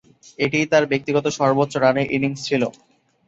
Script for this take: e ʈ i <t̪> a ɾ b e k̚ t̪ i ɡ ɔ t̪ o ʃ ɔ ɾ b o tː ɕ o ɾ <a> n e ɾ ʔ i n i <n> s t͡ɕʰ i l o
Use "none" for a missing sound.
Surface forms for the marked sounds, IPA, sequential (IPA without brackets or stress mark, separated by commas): t̪, a, ŋ